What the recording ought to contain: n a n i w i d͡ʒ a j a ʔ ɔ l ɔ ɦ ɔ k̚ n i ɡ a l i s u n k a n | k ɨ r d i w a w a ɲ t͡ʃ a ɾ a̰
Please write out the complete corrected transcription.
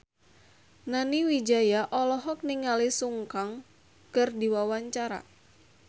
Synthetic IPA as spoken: n a n i w i d͡ʒ a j a ʔ ɔ l ɔ ɦ ɔ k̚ n i ŋ a l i s u ŋ k a ŋ | k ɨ r d i w a w a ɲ t͡ʃ a ɾ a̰